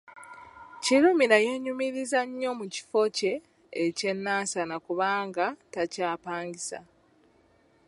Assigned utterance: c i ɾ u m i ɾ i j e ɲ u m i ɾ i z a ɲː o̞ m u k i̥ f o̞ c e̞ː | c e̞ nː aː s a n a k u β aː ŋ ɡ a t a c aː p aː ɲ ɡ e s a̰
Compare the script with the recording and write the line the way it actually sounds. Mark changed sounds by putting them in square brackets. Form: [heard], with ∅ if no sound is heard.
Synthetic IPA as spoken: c i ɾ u m i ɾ [a] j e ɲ u m i ɾ i z a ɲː o̞ m u [c] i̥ f o̞ c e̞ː | c e̞ nː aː s a n a k u β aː ŋ ɡ a t a c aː p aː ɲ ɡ [i] s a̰